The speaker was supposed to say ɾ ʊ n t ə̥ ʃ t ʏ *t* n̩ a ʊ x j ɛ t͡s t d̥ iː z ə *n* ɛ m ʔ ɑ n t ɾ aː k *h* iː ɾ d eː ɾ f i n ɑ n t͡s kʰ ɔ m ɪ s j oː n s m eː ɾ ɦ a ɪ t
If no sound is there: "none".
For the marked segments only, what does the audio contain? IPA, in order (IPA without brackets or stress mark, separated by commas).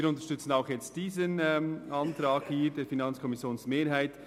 t͡s, n, h